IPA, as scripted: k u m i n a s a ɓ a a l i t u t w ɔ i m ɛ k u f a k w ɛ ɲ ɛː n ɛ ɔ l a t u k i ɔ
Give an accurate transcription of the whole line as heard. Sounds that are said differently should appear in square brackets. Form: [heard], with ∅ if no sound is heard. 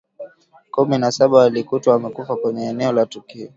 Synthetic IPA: k u m i n a s a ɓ a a l i [k] u t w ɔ [a] m ɛ k u f a k w ɛ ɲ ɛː n ɛ ɔ l a t u k i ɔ